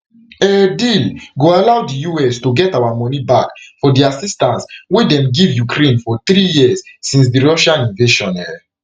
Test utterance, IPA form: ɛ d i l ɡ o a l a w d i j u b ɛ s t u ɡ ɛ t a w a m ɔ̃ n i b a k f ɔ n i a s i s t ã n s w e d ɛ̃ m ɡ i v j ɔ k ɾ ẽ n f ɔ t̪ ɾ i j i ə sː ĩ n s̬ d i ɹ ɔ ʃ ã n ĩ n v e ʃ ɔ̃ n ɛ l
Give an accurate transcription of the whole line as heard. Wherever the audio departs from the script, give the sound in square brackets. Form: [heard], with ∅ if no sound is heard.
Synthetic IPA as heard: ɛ d i l ɡ o a l a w d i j u [∅] ɛ s t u ɡ ɛ t a w a m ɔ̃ n i b a k f ɔ [d] i a s i s t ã n s w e d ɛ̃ m ɡ i v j [u] k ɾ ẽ n f ɔ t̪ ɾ i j i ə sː ĩ n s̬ d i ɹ ɔ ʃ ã n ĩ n v e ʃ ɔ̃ n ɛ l